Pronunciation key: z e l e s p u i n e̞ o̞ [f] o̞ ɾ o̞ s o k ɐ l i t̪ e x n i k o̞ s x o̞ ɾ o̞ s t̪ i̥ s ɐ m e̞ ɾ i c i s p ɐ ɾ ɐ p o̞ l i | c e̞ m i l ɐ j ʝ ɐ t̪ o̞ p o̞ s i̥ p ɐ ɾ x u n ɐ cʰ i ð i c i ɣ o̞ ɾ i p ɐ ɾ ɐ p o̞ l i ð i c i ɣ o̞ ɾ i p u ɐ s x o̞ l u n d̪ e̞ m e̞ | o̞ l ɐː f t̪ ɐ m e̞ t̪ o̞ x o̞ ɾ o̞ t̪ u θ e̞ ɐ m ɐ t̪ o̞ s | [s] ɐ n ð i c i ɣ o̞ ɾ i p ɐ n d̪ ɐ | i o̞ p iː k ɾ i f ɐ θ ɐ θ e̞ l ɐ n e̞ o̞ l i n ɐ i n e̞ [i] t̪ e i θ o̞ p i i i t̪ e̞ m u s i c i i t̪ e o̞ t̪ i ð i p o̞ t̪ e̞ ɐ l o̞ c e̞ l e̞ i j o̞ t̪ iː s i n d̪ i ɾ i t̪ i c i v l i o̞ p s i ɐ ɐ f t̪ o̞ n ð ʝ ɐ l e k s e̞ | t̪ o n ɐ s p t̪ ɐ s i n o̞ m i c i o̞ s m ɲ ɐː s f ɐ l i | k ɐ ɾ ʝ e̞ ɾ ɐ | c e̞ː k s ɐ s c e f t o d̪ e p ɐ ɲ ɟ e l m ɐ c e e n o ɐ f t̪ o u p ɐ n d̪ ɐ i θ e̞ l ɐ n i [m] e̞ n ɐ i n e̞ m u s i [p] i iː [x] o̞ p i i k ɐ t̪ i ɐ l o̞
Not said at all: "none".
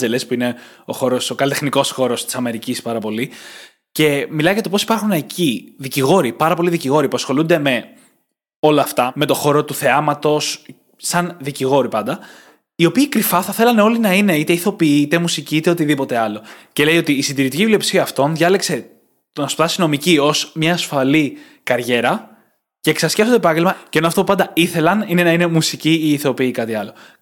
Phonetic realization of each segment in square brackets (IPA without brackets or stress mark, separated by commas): x, s, i, n, c, θ